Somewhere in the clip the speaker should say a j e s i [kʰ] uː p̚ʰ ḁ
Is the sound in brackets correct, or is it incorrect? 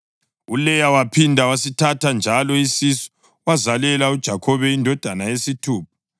incorrect: tʰ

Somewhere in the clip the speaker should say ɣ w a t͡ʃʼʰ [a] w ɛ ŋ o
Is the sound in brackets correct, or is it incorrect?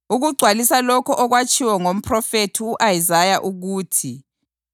incorrect: i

